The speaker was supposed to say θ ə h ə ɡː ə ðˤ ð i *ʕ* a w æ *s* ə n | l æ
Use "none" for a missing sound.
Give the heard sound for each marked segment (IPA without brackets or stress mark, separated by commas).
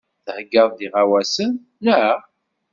ʁ, s